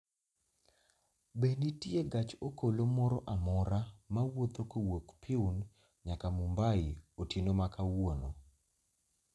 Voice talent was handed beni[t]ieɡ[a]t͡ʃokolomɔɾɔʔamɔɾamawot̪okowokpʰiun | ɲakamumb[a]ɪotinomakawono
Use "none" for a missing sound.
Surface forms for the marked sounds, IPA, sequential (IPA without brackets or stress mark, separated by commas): t, a, a